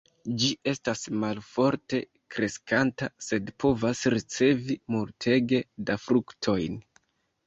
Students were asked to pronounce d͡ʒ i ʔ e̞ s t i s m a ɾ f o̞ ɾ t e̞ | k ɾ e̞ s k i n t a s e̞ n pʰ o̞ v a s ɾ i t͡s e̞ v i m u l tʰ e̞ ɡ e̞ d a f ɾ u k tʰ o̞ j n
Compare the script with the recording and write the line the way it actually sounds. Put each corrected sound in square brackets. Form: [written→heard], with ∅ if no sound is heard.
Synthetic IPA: d͡ʒ i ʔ e̞ s t [i→a] s m a [ɾ→l] f o̞ ɾ t e̞ | k ɾ e̞ s k [i→a] n t a s e̞ [n→d] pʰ o̞ v a s ɾ i t͡s e̞ v i m u l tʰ e̞ ɡ e̞ d a f ɾ u k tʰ o̞ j n